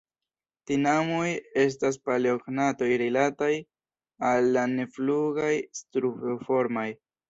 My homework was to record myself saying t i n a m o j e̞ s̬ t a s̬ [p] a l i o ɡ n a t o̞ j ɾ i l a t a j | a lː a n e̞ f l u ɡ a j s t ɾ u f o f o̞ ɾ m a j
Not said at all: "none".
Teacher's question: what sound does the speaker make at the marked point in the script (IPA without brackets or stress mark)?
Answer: p